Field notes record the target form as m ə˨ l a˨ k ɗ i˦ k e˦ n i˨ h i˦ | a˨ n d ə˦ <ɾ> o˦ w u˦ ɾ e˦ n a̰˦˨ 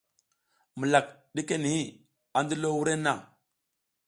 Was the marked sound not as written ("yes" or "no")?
yes